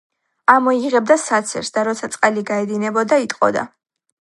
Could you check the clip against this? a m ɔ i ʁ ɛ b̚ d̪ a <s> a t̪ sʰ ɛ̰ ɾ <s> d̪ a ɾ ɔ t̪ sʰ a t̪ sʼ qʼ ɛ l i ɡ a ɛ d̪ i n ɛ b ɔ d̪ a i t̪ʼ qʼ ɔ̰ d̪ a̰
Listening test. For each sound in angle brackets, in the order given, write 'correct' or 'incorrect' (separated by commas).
correct, correct